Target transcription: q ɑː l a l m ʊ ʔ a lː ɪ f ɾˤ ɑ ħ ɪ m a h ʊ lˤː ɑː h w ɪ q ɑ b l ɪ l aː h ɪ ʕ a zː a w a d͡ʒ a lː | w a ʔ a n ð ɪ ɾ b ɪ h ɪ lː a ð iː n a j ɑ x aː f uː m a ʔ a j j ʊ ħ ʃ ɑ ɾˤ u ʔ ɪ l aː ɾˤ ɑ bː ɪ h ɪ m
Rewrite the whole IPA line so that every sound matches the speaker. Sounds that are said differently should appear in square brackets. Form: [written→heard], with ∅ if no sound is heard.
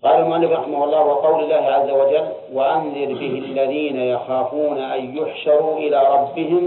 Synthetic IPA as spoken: q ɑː l a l m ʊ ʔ a lː ɪ f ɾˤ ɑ ħ ɪ m a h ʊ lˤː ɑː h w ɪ q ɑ [b→w] l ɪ [l→lː] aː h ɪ ʕ a zː a w a d͡ʒ a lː | w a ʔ a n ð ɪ ɾ b ɪ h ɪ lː a ð iː n a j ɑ x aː f uː [m→n] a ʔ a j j ʊ ħ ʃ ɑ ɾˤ u ʔ ɪ l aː ɾˤ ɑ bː ɪ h ɪ m